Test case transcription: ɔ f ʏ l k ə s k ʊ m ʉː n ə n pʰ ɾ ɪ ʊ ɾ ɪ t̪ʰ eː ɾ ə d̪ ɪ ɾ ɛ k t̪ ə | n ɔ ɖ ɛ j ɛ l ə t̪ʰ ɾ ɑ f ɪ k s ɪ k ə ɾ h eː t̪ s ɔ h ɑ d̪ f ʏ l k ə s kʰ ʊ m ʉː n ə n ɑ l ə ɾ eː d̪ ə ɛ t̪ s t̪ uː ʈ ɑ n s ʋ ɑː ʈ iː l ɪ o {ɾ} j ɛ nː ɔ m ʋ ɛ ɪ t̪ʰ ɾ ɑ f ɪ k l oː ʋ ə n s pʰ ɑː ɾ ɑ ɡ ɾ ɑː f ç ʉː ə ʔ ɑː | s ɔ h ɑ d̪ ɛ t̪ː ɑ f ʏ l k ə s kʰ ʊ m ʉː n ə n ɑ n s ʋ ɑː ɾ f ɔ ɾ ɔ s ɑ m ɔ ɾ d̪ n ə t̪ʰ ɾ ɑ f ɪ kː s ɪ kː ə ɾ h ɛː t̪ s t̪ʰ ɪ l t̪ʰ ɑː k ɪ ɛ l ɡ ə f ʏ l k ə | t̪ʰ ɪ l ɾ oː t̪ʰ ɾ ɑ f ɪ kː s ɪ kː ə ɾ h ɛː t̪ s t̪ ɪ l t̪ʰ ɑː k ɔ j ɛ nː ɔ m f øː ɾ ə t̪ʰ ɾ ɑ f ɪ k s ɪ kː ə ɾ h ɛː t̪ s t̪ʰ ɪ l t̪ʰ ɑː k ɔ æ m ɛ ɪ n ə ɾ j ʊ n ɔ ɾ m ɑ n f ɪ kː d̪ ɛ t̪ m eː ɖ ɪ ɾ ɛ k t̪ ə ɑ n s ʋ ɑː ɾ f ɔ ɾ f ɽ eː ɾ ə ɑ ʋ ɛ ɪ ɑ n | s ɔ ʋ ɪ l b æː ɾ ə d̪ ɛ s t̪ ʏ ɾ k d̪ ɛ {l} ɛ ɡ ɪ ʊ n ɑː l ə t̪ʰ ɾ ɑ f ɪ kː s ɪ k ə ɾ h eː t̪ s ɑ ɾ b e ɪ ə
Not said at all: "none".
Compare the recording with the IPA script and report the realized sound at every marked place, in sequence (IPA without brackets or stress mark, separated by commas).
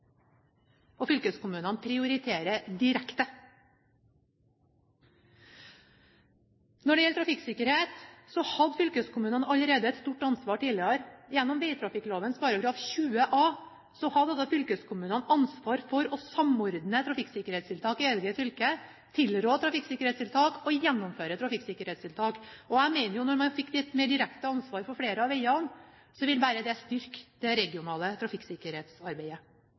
ɾ, ɾ